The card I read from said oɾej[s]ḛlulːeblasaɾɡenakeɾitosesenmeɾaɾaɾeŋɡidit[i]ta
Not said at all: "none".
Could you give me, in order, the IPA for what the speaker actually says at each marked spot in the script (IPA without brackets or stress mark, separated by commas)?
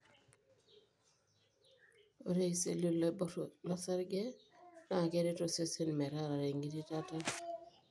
s, a